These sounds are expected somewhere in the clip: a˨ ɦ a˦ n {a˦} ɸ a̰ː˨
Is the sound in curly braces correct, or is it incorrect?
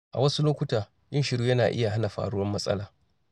incorrect